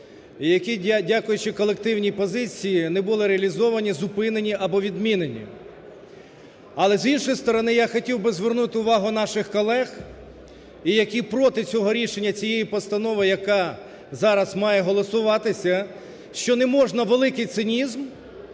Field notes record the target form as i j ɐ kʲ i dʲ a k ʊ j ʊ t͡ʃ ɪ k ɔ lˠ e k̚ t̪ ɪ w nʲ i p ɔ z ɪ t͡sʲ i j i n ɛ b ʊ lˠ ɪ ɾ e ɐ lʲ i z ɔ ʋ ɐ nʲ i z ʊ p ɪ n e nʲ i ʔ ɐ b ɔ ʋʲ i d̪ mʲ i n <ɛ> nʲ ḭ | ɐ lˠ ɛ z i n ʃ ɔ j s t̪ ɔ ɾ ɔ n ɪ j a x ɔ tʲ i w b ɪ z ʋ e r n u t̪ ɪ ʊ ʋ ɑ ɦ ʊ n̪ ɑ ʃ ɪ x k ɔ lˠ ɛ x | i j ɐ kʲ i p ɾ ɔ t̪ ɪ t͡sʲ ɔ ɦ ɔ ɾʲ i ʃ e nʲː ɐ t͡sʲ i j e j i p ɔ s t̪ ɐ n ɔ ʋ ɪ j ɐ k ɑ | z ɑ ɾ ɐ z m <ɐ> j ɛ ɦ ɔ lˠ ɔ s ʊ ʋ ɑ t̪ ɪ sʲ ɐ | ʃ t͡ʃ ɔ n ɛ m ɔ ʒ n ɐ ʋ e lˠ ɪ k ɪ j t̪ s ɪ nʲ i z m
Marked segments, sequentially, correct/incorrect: incorrect, incorrect

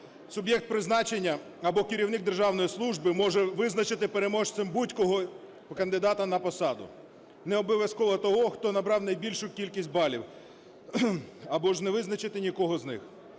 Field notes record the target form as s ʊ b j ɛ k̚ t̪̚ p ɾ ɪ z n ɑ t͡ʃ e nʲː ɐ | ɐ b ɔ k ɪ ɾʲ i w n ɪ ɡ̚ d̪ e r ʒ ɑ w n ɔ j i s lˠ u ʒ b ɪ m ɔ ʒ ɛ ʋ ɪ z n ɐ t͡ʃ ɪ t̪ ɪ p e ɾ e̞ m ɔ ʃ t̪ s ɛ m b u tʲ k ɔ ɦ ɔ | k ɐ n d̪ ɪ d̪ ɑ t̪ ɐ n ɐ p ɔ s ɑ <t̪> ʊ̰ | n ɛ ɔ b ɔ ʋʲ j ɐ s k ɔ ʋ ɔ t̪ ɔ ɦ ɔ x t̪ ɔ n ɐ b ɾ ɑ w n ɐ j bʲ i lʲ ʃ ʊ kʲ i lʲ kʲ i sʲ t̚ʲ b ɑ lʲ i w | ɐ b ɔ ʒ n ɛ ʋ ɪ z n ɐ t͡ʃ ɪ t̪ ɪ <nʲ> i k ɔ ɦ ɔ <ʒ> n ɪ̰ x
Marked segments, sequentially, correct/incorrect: incorrect, correct, incorrect

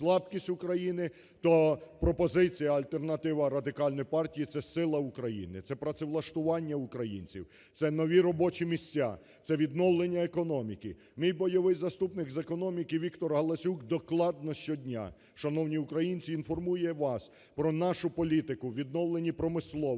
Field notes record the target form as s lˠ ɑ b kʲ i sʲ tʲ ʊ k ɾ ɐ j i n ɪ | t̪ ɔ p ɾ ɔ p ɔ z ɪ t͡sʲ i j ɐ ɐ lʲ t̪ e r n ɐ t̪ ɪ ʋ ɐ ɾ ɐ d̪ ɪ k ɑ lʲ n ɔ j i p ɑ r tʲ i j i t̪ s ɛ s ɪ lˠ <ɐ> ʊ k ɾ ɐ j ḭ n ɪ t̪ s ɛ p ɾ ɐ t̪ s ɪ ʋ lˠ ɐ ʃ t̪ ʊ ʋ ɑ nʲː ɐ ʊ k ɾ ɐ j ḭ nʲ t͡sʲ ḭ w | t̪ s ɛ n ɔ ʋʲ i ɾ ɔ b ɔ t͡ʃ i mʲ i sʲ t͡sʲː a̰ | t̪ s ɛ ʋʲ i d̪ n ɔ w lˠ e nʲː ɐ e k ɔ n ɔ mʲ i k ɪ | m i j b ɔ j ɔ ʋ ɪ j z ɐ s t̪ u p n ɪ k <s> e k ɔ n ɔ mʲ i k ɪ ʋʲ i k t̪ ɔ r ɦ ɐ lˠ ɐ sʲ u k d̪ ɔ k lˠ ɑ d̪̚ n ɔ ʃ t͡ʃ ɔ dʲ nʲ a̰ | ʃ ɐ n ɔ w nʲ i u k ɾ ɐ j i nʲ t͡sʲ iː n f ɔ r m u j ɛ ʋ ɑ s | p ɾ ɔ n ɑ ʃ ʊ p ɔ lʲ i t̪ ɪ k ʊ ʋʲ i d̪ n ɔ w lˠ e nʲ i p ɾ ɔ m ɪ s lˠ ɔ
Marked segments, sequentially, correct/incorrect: correct, incorrect

